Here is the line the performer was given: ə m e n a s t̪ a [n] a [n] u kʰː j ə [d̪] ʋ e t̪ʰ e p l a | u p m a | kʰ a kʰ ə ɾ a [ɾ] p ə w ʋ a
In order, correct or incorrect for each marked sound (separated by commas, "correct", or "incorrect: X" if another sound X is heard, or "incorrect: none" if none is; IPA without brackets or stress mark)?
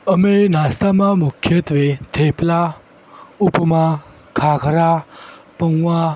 incorrect: m, incorrect: m, incorrect: t̪, incorrect: none